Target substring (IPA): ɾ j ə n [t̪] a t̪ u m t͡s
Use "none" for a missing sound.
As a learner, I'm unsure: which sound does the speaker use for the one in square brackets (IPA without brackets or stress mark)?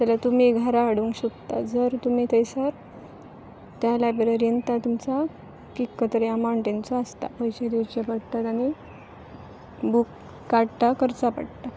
t̪